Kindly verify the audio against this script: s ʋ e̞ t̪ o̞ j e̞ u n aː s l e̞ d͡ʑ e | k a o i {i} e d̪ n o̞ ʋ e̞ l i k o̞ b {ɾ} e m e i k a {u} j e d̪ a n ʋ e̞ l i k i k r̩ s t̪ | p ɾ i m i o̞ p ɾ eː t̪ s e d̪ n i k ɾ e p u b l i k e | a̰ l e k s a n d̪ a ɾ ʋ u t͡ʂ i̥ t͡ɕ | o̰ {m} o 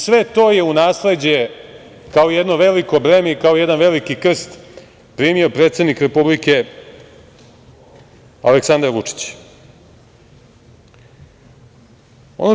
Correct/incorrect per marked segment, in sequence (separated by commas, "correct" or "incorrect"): incorrect, correct, incorrect, incorrect